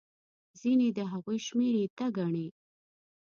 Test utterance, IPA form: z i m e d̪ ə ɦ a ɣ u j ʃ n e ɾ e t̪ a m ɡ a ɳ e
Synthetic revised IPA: z i n e d̪ ə ɦ a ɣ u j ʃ m e ɾ e t̪ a ɡ a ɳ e